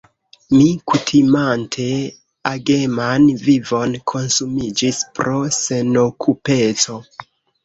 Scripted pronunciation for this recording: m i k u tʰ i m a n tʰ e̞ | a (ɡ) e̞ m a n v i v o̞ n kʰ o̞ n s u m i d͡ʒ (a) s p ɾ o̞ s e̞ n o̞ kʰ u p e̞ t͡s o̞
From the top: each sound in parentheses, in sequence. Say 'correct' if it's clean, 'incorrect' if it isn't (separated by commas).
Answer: correct, incorrect